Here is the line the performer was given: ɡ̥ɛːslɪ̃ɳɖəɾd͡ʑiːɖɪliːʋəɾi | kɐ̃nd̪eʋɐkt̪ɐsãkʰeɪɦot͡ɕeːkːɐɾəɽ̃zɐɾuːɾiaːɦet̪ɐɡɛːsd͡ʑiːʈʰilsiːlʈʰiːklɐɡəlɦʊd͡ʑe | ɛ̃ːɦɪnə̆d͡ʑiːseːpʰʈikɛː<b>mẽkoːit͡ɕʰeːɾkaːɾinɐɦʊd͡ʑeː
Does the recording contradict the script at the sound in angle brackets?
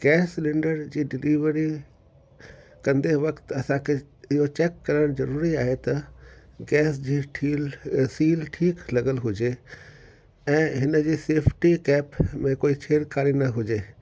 yes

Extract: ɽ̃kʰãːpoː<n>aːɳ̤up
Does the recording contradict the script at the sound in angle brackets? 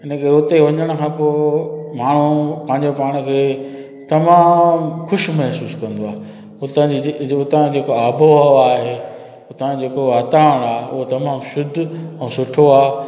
yes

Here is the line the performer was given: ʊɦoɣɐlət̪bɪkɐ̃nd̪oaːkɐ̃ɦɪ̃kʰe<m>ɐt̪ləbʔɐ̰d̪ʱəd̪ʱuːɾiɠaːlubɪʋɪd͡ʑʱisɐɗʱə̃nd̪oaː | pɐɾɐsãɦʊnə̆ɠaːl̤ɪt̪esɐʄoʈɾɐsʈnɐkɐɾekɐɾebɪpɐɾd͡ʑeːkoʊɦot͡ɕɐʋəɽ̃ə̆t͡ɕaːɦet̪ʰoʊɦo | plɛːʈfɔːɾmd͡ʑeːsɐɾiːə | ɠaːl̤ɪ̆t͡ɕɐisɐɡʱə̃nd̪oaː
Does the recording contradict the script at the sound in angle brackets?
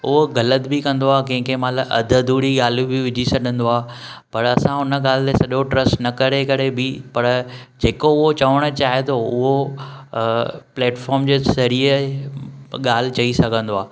no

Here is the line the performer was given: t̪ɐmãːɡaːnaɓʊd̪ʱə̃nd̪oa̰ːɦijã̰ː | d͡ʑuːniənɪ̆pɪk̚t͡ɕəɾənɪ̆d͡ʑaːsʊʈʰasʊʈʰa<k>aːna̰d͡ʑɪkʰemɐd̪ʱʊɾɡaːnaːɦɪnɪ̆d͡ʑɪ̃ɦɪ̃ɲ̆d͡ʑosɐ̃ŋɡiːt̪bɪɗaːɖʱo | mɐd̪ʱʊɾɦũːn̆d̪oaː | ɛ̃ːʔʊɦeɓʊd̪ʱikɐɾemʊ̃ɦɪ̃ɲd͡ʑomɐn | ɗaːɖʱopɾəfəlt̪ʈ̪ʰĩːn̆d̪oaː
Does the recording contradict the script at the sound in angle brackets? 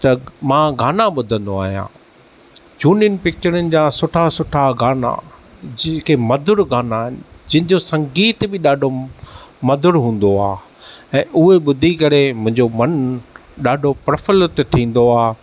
yes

